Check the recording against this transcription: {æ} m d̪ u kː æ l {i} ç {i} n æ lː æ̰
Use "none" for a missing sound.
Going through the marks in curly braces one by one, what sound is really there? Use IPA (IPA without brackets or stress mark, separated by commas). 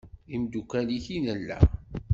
i, i, i